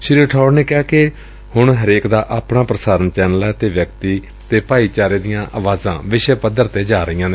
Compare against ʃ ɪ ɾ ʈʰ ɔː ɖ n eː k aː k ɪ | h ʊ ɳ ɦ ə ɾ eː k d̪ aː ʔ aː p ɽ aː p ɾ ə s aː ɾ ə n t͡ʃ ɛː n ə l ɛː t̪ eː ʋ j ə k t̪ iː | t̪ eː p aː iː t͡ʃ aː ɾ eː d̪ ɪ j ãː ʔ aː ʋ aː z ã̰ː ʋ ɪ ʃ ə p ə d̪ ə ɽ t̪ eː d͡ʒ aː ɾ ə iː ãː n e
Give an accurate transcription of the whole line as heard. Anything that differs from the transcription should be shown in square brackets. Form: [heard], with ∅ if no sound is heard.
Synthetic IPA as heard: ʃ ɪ ɾ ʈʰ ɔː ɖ n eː k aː k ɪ | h ʊ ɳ ɦ ə ɾ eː k d̪ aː ʔ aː p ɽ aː p ɾ ə s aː ɾ ə n t͡ʃ ɛː n ə l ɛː t̪ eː ʋ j ə k t̪ iː | t̪ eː p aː iː t͡ʃ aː ɾ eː d̪ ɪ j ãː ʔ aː ʋ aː z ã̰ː ʋ ɪ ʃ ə p ə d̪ ə [ɾ] t̪ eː d͡ʒ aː ɾ ə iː ãː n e

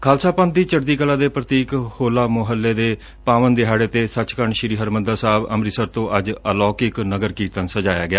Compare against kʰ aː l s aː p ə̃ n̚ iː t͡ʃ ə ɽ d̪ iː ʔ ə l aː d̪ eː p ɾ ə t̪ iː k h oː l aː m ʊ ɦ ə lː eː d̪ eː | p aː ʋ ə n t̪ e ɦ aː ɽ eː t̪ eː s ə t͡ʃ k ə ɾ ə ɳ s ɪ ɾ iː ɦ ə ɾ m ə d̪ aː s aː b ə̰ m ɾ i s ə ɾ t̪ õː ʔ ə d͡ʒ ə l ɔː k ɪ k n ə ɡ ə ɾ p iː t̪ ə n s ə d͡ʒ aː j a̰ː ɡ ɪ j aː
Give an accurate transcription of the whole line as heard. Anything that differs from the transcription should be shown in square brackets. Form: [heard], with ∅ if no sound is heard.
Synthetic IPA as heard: kʰ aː l s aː p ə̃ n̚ iː t͡ʃ ə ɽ d̪ iː [k] ə l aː d̪ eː p ɾ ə t̪ iː k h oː l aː m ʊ ɦ ə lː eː d̪ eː | p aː ʋ ə n [d̪] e ɦ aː ɽ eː t̪ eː s ə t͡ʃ k ə ɾ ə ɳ [ʃ] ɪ ɾ iː ɦ ə ɾ m ə d̪ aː s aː b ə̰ m ɾ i s ə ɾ t̪ õː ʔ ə d͡ʒ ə l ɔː k ɪ k n ə ɡ ə ɾ [k] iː t̪ ə n s ə d͡ʒ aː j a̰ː ɡ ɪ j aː

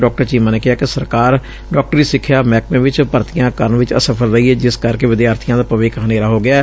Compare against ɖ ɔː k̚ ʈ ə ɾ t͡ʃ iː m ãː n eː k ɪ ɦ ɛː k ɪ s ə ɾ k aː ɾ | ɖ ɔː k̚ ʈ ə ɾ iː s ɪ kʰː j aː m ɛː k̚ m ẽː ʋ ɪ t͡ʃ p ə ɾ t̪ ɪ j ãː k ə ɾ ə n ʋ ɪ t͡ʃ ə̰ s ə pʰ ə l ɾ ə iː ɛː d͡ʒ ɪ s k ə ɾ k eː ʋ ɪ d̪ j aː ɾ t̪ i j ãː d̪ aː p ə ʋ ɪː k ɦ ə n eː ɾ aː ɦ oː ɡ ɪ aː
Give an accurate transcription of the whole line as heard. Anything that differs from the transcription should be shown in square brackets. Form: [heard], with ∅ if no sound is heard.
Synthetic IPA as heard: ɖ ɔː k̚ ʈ ə ɾ t͡ʃ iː m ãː n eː k ɪ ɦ [aː] k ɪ s ə ɾ k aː ɾ | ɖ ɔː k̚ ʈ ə ɾ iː s ɪ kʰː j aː m ɛː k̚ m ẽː ʋ ɪ t͡ʃ p ə ɾ t̪ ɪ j ãː k ə ɾ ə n ʋ ɪ t͡ʃ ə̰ s ə pʰ ə l ɾ ə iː ɛː d͡ʒ ɪ s k ə ɾ k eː ʋ ɪ d̪ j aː ɾ [t̪ʰ] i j ãː d̪ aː p ə ʋ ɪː k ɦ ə n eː ɾ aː ɦ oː ɡ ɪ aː

